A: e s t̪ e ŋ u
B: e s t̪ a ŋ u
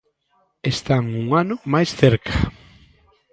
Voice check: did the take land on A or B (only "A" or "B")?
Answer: B